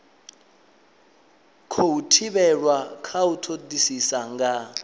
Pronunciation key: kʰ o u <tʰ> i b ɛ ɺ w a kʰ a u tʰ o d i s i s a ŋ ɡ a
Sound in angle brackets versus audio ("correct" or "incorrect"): correct